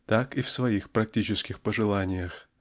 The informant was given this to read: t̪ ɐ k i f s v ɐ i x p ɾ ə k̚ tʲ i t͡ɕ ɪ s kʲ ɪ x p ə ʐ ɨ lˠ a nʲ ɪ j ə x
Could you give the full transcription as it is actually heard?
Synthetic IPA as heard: t̪ a k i f s v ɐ i x p ɾ ɐ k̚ tʲ i t͡ɕ ɪ s kʲ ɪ x p ə ʐ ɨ lˠ a nʲ ɪ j ə x